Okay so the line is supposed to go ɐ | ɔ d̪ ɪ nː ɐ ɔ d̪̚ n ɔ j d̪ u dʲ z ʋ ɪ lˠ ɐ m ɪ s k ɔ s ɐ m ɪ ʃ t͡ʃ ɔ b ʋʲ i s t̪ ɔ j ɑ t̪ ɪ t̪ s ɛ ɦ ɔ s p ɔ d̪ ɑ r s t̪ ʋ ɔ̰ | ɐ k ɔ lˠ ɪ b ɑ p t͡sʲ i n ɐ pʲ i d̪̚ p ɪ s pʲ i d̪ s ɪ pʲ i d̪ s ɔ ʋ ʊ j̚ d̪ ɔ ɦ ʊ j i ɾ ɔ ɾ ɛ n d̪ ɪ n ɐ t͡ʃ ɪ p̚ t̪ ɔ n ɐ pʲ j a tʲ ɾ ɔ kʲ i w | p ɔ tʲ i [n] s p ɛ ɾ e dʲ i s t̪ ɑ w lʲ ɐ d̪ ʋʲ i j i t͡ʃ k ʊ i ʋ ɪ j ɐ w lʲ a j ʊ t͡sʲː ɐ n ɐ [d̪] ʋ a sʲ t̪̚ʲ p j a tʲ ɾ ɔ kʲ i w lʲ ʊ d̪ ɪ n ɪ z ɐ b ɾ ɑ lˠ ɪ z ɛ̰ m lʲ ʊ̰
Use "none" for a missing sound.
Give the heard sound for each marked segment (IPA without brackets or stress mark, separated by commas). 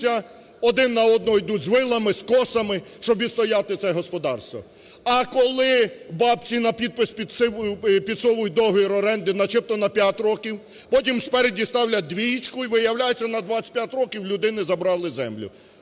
m, d̪